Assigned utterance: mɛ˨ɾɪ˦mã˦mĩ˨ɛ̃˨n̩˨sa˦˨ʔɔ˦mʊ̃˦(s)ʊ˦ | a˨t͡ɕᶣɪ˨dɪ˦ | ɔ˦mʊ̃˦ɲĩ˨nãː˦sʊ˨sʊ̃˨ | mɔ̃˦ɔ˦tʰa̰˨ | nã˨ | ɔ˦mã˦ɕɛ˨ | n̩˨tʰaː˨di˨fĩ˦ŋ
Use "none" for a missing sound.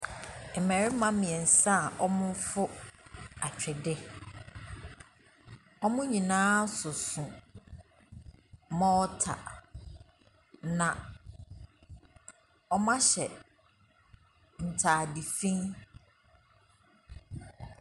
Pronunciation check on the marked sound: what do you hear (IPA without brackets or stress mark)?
f